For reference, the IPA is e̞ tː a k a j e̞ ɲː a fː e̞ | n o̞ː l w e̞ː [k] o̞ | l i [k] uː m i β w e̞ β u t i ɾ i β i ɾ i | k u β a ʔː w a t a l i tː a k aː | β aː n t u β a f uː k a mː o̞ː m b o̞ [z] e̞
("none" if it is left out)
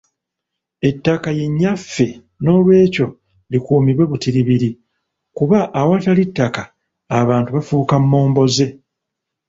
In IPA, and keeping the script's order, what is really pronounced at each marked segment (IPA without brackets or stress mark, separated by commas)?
c, k, z